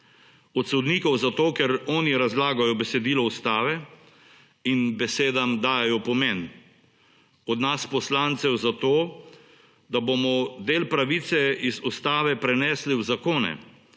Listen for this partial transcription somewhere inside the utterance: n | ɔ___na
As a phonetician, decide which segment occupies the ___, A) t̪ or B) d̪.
B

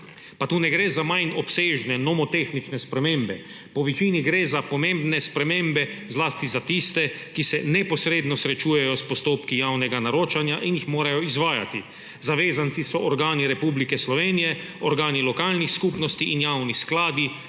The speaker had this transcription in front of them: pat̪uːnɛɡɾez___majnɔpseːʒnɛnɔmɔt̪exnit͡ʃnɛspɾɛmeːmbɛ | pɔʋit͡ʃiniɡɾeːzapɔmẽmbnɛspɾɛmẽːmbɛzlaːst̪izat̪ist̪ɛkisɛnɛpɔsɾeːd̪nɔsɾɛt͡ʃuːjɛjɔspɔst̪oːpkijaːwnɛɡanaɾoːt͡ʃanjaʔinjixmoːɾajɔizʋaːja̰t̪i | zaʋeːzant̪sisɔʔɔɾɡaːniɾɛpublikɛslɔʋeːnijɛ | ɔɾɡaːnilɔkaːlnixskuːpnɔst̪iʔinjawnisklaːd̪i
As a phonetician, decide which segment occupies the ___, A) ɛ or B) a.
B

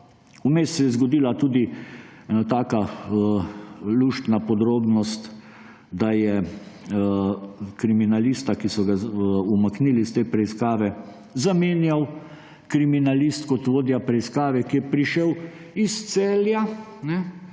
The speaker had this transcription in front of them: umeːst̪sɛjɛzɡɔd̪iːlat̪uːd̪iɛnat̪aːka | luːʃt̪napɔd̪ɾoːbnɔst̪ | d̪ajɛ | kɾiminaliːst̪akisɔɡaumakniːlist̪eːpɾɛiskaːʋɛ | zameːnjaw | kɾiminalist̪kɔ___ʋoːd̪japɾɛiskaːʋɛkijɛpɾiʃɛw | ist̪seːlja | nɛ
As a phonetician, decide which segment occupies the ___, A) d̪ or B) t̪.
B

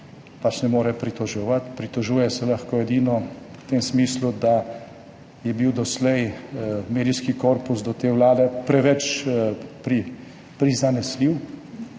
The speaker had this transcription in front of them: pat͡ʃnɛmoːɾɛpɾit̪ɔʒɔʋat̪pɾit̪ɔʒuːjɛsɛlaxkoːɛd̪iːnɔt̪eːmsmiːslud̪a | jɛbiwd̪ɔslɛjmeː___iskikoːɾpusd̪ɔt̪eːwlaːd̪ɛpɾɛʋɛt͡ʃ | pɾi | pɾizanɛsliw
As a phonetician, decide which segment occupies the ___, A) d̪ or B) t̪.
A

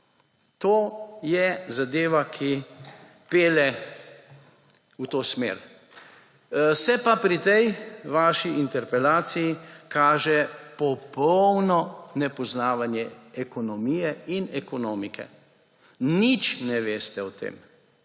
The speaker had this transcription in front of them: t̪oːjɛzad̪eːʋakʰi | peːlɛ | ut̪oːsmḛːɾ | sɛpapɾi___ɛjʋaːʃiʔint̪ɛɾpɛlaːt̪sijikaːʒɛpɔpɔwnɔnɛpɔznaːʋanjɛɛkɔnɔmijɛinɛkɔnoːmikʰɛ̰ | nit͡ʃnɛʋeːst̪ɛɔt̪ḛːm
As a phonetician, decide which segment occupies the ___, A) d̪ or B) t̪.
B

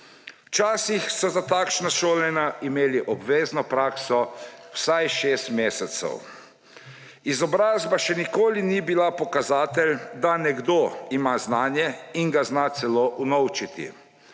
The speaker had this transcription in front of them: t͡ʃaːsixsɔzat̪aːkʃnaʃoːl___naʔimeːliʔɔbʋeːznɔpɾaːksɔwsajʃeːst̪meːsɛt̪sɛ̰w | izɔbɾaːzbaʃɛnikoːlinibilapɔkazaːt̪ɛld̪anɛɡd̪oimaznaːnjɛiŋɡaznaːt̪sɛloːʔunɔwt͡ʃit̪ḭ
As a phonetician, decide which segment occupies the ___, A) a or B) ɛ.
B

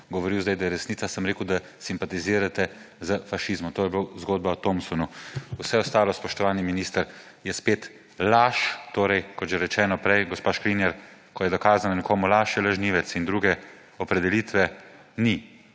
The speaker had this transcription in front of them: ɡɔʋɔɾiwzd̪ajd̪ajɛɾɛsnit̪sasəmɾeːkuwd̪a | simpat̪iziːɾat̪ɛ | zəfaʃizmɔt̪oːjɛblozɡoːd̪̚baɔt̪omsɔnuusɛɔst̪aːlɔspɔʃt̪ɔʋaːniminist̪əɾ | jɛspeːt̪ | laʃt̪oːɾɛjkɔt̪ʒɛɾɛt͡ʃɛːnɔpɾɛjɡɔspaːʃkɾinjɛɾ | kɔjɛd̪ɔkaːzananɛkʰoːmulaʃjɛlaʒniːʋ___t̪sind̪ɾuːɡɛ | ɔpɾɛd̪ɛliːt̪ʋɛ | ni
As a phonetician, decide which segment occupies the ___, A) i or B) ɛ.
B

